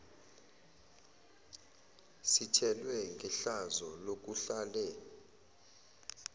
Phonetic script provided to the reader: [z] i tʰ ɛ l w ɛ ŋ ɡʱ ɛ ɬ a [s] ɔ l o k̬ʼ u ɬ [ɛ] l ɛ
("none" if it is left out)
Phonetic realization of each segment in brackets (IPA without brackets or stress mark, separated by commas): s, z, a